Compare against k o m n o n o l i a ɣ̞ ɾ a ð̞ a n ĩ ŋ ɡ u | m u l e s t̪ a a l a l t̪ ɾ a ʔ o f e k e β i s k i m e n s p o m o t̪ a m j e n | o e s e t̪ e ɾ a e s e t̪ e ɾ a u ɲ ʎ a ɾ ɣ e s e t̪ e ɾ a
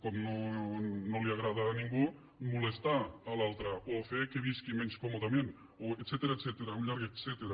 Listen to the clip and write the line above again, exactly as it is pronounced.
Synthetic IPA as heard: k o m n o n o l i a ɣ̞ ɾ a ð̞ a n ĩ ŋ ɡ u | m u l e s t̪ a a l a l t̪ ɾ a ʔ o f e k e β i s k i m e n s k o m o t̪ a m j e n | o e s e t̪ e ɾ a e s e t̪ e ɾ a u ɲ ʎ a ɾ ɣ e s e t̪ e ɾ a

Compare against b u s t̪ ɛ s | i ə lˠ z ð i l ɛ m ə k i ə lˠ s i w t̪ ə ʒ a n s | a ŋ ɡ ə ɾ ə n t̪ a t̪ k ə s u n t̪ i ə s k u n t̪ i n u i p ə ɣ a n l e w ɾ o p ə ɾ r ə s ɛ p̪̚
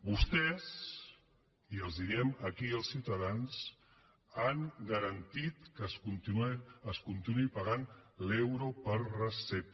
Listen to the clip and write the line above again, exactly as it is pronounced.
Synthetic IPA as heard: b u s t̪ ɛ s | i ə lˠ z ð i ɾ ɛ m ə k i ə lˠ s i w t̪ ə ð a n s | a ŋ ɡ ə ɾ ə n t̪ i t̪ k ə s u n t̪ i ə s k u n t̪ i n u i p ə ɣ a n l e w ɾ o p ə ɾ r ə s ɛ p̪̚

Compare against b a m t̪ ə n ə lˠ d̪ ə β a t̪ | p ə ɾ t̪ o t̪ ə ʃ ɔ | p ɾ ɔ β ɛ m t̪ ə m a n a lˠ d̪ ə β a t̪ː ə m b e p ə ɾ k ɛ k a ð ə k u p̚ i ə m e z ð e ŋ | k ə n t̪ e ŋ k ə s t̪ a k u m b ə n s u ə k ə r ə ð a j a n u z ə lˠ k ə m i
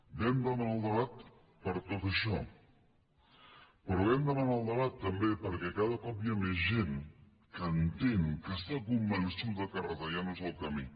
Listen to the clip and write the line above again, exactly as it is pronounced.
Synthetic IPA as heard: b ɛ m d̪ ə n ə lˠ d̪ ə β a t̪ | p ə ɾ t̪ o t̪ ə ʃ ɔ | p ɾ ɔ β ɛ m d̪ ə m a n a lˠ d̪ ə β a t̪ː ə m b e p ə ɾ k ɛ k a ð ə k ɔ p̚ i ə m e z ʒ e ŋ | k ə n t̪ e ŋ k ə s t̪ a k u m b ə n s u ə k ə r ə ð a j a n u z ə lˠ k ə m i

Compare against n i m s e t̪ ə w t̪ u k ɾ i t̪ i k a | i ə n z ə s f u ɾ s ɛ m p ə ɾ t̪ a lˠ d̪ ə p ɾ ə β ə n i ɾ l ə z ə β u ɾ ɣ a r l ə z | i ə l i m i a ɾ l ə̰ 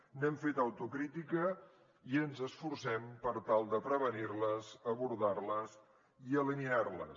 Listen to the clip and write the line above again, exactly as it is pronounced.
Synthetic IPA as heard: n ɛ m f e t̪ ə w t̪ u k ɾ i t̪ i k ə | i ə n z ə s f u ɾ s ɛ m p ə ɾ t̪ a lˠ d̪ ə p ɾ ə β ə n i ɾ l ə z ə β u ɾ ð a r l ə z | i ə l i n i a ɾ l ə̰

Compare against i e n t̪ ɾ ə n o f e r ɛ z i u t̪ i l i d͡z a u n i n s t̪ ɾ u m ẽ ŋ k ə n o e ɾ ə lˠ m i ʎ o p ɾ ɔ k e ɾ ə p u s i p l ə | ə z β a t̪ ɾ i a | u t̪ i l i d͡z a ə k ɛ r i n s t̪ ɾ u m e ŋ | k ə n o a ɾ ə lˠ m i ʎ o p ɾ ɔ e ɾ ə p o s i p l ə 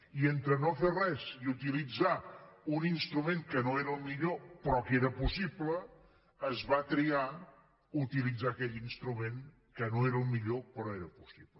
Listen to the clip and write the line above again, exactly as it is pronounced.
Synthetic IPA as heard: i e n t̪ ɾ ə n o f e r ɛ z i u t̪ i l i d͡z a u n i n s t̪ ɾ u m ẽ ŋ k ə n o e ɾ ə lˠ m i ʎ o p ɾ ɔ k e ɾ ə p u s i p l ə | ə z β a t̪ ɾ i a | u t̪ i l i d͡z a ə k ɛ ʎ i n s t̪ ɾ u m e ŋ | k ə n o e ɾ ə lˠ m i ʎ o p ɾ ɔ e ɾ ə p u s i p l ə

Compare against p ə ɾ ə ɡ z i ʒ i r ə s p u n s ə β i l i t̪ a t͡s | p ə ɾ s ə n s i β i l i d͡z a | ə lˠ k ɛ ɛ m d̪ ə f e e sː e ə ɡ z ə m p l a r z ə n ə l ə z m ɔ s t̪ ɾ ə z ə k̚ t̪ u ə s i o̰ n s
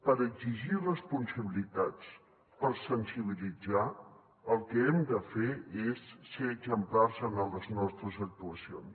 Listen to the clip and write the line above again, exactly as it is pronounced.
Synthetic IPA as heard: p ə ɾ ə ɡ z i ʒ i r ə s p u n s ə β i l i t̪ a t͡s | p ə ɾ s ə n s i β i l i d͡z a | ə lˠ k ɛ ɛ m d̪ ə f e e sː e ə ɡ z ə m p l a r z ə n ə l ə z n ɔ s t̪ ɾ ə z ə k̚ t̪ u ə s i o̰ n s

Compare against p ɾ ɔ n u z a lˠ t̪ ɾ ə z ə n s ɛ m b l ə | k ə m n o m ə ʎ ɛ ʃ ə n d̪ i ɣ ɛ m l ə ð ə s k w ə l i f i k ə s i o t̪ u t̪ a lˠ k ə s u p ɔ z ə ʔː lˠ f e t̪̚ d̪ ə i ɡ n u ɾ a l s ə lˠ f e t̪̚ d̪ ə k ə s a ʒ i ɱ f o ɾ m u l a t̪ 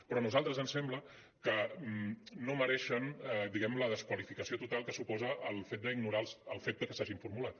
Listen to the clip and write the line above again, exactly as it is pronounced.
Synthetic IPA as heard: p ɾ ɔ n u z a lˠ t̪ ɾ ə z ə n s ɛ m b l ə | k ə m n o m ə ɾ ɛ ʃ ə n d̪ i ɣ ɛ m l ə ð ə s k w ə l i f i k ə s i o t̪ u t̪ a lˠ k ə s u p ɔ z ə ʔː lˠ f e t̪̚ d̪ ə i ɡ n u ɾ a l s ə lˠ f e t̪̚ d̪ ə k ə s a ʒ i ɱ f u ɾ m u l a t̪

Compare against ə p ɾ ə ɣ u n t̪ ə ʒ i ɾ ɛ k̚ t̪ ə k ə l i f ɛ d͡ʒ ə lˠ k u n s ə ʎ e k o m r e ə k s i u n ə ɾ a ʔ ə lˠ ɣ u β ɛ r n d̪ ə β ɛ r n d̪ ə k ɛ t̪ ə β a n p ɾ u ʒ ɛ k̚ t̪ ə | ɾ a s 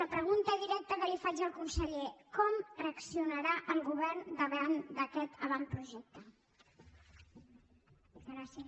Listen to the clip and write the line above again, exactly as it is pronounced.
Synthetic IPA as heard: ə p ɾ ə ɣ u n t̪ ə ð i ɾ ɛ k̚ t̪ ə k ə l i f a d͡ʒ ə lˠ k u n s ə ʎ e k ɔ m r e ə k s i u n ə ɾ a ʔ ə lˠ ɣ u β ɛ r n d̪ ə β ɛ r n d̪ ə k ɛ t̪ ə β a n p ɾ u ʒ ɛ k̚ t̪ ə | ɾ a s

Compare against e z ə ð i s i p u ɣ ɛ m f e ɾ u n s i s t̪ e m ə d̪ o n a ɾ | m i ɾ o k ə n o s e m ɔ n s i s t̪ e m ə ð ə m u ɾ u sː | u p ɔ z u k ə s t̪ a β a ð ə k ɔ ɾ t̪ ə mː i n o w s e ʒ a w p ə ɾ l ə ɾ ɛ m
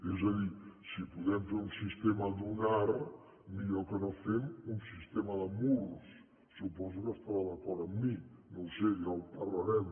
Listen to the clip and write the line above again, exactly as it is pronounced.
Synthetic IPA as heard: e z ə ð i s i p u ð ɛ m f e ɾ u n s i s t̪ e m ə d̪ u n a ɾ | m i ʎ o k ə n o f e m u n s i s t̪ e m ə ð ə m u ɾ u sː | u p ɔ z u k ə s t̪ a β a ð ə k ɔ ɾ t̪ ə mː i n o w s e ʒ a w p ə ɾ l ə ɾ ɛ m

